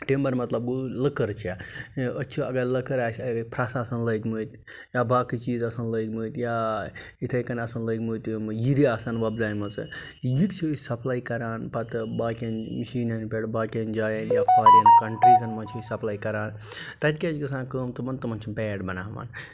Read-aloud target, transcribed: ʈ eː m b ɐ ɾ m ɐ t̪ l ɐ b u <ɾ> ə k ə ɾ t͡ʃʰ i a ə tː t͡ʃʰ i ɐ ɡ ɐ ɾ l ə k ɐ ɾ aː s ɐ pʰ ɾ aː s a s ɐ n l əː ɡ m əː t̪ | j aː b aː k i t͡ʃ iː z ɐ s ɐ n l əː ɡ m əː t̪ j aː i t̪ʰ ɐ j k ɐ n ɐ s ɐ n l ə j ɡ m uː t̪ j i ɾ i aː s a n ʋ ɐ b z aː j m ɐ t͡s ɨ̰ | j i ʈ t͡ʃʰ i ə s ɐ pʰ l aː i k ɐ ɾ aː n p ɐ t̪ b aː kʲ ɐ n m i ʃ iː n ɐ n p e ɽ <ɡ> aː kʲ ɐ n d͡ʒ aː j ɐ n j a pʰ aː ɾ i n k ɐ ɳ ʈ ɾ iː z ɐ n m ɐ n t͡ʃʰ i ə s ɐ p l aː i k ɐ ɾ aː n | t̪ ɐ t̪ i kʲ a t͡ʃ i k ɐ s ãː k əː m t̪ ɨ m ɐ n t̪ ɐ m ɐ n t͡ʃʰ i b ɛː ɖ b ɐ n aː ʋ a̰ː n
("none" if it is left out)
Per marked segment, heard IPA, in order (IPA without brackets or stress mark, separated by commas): l, b